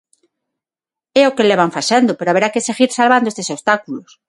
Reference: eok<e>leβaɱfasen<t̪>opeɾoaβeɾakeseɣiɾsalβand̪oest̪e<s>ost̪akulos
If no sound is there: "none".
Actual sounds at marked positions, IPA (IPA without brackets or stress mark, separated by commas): e, d̪, s